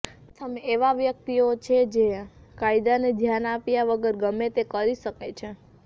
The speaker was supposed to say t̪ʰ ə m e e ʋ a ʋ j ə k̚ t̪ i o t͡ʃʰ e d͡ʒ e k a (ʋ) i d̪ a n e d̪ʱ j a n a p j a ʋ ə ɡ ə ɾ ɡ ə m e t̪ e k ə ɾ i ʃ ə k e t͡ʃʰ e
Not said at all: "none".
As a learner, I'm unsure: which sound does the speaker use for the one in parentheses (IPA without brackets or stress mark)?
none